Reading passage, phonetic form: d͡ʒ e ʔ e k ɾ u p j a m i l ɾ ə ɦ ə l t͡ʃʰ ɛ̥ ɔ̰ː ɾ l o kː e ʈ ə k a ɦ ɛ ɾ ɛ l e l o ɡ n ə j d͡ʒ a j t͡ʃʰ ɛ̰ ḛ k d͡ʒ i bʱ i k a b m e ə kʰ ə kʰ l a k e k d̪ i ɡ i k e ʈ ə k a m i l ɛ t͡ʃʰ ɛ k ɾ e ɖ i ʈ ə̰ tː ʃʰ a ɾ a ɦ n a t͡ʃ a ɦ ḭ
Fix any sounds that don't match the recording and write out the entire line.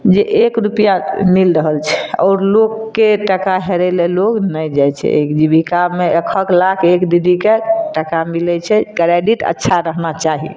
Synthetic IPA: d͡ʒ e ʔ e k ɾ u p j a m i l ɾ ə ɦ ə l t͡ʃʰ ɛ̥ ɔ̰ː ɾ l o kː e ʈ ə k a ɦ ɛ ɾ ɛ l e l o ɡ n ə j d͡ʒ a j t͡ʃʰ ɛ̰ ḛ k d͡ʒ i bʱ i k a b m e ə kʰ ə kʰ l a kʰ e k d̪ i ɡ i k e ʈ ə k a m i l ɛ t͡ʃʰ ɛ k ɾ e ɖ i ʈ ə̰ tː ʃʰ a ɾ ə ɦ n a t͡ʃ a ɦ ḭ

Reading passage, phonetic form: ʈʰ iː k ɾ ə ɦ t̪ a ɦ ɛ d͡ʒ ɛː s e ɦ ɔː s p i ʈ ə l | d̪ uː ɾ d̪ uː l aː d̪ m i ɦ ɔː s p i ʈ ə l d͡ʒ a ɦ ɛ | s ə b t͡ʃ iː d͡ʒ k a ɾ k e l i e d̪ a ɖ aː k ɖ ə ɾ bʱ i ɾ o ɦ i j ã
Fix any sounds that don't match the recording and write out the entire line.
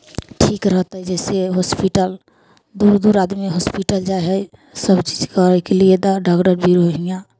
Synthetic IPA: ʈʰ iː k ɾ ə ɦ t̪ a ɦ ɛ d͡ʒ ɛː s e ɦ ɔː s p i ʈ ə l | d̪ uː ɾ d̪ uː ɾ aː d̪ m i ɦ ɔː s p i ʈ ə l d͡ʒ a ɦ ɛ | s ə b t͡ʃ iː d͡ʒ k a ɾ k e l i e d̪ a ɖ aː k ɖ ə ɾ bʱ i ɾ o ɦ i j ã

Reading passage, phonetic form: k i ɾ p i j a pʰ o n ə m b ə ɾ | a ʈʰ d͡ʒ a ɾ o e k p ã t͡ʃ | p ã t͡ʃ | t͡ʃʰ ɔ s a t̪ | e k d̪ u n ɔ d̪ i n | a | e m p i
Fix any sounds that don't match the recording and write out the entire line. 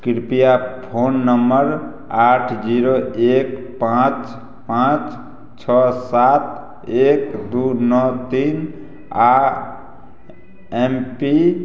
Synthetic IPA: k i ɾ p i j a pʰ o nː ə m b ə ɾ | a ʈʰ d͡ʒ i ɾ o e k p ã t͡ʃ | p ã t͡ʃ | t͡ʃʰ ɔ s a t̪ | e k d̪ u n ɔ t̪ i n | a | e m p i

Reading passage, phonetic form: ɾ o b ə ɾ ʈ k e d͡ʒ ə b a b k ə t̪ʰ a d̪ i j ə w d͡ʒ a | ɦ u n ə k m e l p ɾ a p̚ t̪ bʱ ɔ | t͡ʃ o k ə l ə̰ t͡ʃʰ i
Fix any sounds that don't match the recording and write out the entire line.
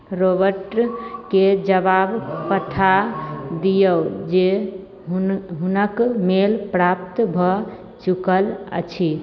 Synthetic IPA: ɾ o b ə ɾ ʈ k e d͡ʒ ə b a b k ə t̪ʰ a d̪ i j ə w d͡ʒ e | ɦ u n ə k m e l p ɾ a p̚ t̪ bʱ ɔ | t͡ʃ u k ə l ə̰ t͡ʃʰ i

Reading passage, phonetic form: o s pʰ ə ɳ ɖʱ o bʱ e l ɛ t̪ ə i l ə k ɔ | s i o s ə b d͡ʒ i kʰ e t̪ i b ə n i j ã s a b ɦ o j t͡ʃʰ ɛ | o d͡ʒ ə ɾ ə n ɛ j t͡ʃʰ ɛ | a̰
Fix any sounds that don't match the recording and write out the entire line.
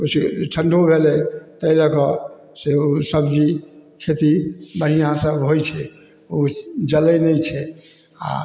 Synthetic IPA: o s ʈʰ ə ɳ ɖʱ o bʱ e l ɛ t̪ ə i l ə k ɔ | s e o s ə b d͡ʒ i kʰ e t̪ i b ə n i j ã s ə b ɦ o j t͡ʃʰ ɛ | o d͡ʒ ə l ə n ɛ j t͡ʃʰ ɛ | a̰

